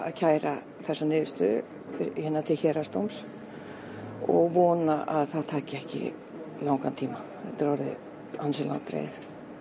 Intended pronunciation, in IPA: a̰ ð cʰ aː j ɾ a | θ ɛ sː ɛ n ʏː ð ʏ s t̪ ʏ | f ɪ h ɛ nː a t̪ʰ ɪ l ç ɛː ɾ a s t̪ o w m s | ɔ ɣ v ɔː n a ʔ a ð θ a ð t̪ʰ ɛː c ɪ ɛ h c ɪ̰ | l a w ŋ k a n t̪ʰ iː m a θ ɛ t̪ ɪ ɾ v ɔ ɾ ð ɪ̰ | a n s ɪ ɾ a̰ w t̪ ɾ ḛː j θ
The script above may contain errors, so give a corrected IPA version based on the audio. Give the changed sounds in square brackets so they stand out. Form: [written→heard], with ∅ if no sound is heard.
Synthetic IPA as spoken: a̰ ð cʰ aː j ɾ a | θ ɛ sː [ɛ→a] n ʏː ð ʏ s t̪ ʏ | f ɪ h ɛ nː a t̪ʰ ɪ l ç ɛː ɾ a s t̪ o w m s | ɔ ɣ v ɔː n a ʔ a ð θ a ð t̪ʰ [ɛː→aː] c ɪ ɛ h c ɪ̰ | l a w ŋ k a n t̪ʰ iː m a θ ɛ t̪ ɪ ɾ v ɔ ɾ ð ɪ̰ | a n s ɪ [ɾ→l] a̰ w t̪ ɾ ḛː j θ